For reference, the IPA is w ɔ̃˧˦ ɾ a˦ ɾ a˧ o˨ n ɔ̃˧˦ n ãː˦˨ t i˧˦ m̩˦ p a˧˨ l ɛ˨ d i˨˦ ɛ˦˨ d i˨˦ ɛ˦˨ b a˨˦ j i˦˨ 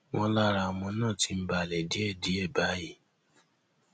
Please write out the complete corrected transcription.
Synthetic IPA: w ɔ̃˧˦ l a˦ ɾ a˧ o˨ m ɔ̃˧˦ n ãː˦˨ t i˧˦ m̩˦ b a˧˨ l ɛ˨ d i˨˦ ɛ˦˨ d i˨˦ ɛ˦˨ b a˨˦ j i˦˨